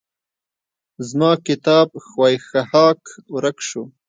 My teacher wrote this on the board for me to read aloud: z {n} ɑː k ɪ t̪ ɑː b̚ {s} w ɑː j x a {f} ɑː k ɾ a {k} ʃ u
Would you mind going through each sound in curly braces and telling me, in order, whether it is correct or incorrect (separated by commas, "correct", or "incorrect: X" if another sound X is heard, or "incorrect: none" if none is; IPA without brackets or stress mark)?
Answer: incorrect: m, incorrect: x, incorrect: h, correct